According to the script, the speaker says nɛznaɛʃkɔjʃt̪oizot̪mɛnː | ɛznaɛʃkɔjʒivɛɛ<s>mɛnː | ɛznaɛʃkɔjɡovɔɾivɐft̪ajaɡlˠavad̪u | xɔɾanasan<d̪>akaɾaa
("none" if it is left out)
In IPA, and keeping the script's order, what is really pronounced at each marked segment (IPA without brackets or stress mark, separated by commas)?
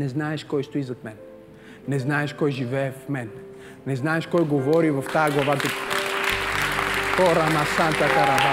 f, t̪